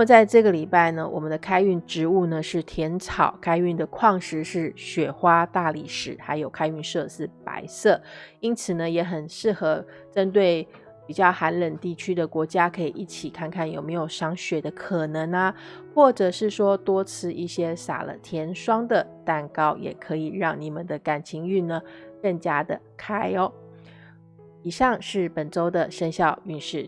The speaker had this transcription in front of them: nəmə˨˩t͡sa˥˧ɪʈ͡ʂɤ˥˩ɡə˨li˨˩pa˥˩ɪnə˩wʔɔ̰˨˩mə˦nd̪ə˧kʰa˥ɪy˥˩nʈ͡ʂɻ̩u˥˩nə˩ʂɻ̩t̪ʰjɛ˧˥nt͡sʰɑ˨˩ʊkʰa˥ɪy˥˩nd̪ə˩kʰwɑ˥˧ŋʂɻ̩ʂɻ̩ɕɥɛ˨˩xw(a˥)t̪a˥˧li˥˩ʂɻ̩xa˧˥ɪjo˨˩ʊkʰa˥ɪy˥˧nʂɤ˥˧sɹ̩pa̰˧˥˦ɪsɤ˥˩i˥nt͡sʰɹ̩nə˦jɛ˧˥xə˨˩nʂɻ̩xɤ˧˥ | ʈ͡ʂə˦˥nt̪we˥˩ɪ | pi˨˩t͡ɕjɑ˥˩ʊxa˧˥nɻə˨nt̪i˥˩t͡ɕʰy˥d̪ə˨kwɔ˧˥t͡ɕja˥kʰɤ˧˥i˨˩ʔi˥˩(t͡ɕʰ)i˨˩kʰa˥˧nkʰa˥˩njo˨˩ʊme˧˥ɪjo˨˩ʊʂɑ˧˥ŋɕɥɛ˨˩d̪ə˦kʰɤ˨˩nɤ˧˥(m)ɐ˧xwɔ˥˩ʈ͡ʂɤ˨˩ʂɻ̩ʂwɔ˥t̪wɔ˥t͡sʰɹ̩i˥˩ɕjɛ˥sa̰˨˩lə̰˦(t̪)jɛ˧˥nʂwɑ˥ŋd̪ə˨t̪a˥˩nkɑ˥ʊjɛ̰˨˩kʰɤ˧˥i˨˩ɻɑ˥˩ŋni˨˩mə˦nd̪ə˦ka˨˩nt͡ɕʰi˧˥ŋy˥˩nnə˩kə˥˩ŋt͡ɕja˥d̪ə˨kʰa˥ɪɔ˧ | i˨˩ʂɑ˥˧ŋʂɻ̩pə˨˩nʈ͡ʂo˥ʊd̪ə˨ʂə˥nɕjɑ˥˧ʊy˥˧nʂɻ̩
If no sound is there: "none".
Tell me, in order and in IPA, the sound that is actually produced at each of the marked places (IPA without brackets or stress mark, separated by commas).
a˥, t͡ɕʰ, ŋ, t̪ʰ